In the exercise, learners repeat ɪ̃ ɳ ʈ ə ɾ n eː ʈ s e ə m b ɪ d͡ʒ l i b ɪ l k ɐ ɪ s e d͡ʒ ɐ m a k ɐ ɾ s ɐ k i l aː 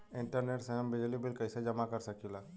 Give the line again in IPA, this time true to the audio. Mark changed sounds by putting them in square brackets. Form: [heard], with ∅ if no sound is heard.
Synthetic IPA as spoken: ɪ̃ ɳ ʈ ə ɾ n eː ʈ s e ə m b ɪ d͡ʒ l i b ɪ l k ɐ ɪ s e d͡ʒ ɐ m a k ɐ ɾ s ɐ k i l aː